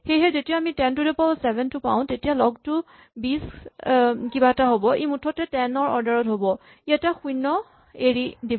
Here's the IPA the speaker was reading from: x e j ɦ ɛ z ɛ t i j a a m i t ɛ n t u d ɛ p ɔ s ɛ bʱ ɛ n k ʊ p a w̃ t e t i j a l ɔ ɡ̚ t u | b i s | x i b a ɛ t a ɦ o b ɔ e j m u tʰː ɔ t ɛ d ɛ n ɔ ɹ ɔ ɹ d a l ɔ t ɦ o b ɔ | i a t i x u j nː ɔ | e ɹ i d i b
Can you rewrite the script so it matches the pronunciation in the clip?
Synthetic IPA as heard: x e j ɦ ɛ z e t i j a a m i t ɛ n t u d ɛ p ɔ s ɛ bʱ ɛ n t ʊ p a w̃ t e t i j a l ɔ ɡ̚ t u | b i s | k i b a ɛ t a ɦ o b ɔ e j m u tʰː ɔ t ɛ t ɛ n ɔ ɹ ɔ ɹ d a ɹ ɔ t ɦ o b ɔ | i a t a x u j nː ɔ | e ɹ i d i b